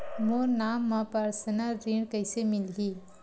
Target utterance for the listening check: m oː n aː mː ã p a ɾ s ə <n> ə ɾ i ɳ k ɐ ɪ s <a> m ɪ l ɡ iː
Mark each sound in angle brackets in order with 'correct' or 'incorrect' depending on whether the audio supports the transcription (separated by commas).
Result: correct, incorrect